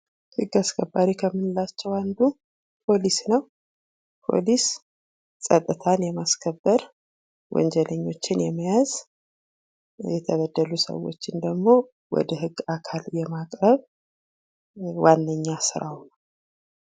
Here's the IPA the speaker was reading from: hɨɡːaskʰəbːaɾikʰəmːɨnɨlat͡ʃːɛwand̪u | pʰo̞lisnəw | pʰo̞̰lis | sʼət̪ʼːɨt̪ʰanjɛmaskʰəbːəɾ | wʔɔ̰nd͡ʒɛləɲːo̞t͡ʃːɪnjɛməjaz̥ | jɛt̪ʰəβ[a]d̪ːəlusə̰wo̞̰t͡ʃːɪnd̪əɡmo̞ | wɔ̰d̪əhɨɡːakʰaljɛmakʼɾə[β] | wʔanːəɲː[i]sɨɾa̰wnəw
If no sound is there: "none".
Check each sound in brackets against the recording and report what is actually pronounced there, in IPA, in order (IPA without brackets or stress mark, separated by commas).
ə, β, a